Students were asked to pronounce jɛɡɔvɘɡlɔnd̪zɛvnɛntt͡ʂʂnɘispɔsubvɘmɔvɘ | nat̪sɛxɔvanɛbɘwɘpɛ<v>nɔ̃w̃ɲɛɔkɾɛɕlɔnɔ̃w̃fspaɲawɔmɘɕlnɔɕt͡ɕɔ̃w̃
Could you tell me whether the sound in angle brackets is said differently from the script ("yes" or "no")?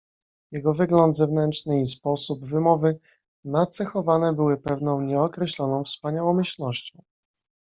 no